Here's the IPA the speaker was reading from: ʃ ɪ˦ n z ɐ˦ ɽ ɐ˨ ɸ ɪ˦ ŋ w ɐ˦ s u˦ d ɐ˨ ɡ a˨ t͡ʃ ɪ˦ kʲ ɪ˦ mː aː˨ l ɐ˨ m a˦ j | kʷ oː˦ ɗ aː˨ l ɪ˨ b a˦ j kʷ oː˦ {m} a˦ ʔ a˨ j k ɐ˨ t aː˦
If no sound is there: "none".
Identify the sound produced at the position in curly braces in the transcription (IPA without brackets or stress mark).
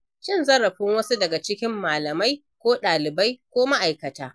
m